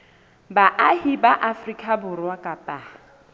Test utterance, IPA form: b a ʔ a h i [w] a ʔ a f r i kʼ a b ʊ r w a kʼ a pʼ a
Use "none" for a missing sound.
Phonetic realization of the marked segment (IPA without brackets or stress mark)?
b